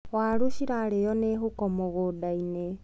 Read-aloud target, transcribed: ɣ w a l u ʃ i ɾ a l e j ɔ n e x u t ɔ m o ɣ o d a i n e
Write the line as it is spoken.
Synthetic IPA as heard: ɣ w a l u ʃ i ɾ a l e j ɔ n e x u k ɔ m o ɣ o d a i n e